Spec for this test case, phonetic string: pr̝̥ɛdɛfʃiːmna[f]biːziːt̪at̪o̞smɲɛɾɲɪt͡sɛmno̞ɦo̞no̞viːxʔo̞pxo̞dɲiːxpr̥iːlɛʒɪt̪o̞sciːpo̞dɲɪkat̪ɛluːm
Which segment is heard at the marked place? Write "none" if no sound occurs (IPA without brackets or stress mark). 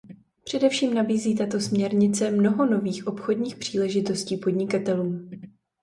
none